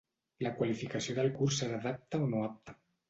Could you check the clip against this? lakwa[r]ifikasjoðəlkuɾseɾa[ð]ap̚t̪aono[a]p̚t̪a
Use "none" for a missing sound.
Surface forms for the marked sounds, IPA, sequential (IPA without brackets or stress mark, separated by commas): l, ð, a